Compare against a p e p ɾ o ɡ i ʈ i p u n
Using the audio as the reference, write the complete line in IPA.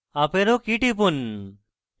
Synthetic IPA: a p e ɾ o k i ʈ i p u n